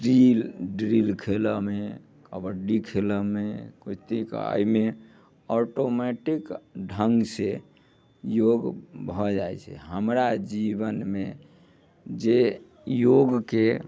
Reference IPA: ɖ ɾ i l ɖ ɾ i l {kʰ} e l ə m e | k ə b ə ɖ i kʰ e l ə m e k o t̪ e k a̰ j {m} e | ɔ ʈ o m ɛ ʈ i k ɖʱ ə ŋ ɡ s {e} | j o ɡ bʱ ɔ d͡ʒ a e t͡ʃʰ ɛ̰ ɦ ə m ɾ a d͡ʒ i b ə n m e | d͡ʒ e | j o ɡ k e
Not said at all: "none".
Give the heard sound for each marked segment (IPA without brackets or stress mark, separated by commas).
kʰ, m, e